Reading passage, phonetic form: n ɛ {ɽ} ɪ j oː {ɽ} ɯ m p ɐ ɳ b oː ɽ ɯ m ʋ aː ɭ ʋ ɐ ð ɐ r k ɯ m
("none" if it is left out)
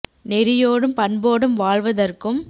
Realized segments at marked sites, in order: ɾ, ɽ

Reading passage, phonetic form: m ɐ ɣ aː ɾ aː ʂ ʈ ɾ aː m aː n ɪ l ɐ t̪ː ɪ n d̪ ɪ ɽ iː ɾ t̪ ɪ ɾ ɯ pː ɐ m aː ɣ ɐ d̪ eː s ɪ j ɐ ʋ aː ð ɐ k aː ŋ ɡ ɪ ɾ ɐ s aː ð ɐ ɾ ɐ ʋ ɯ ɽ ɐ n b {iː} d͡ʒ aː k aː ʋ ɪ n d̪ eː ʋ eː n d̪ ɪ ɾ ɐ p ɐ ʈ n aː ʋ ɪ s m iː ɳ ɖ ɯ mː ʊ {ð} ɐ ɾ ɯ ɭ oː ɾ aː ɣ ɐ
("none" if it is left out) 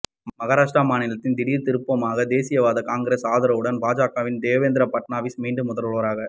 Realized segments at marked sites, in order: aː, ð

